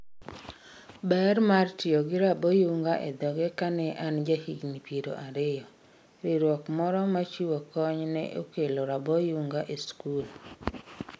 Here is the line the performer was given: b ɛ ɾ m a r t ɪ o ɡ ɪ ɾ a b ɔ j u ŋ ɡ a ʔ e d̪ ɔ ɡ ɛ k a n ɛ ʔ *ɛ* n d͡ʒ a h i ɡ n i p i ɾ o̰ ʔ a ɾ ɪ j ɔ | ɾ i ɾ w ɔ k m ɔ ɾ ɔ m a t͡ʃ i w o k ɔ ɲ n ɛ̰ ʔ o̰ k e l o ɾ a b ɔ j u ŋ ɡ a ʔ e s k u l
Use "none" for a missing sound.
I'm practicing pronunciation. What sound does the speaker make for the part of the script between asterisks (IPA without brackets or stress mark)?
a